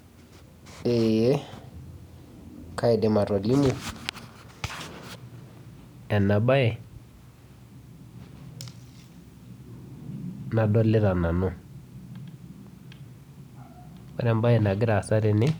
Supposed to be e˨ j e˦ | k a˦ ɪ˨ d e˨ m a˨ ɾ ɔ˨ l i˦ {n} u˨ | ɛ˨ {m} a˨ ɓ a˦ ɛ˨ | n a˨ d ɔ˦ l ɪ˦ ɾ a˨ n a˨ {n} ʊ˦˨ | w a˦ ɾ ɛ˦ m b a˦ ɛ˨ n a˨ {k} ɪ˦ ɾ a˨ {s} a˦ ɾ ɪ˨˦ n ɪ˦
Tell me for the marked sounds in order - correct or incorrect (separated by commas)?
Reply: incorrect, incorrect, correct, incorrect, correct